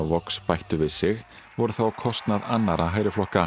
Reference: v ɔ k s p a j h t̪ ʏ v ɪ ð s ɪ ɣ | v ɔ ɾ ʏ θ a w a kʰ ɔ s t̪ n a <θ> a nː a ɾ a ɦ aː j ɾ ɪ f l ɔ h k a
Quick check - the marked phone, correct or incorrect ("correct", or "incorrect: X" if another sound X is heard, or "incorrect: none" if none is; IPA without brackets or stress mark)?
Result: incorrect: ð